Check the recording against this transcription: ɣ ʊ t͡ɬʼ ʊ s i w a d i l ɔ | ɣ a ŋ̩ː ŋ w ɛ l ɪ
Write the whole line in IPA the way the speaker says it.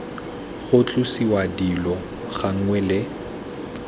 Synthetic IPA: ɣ ʊ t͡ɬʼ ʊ s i w a d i l ɔ | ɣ a ŋ̩ ŋ w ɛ l ɪ